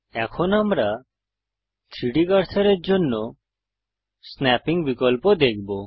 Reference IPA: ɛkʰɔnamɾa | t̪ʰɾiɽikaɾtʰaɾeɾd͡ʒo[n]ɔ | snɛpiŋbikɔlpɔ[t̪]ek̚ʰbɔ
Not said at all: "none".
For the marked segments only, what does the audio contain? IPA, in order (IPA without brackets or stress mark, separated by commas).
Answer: nː, d̪